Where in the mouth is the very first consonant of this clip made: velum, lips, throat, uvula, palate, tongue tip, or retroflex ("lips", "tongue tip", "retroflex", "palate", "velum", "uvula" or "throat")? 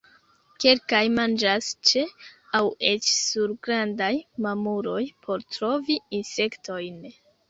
velum